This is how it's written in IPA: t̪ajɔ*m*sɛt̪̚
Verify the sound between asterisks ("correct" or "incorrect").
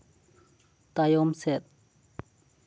correct